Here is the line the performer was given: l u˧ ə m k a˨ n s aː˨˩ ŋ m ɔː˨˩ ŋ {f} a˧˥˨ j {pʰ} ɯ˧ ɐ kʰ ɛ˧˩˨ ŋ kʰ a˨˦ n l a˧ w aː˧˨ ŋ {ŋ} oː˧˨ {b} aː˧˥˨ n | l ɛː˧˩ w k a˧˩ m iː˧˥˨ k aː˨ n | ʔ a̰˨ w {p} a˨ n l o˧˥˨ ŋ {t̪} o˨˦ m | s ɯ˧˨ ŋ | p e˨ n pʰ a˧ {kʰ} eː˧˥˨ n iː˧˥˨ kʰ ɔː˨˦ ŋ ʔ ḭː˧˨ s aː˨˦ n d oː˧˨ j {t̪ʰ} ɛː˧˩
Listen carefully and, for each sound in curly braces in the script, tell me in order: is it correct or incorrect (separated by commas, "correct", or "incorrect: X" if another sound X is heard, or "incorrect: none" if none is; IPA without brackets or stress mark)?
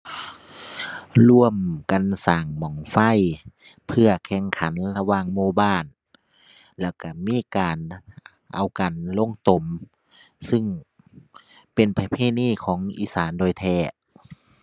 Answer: correct, correct, incorrect: m, correct, incorrect: k, correct, incorrect: pʰ, correct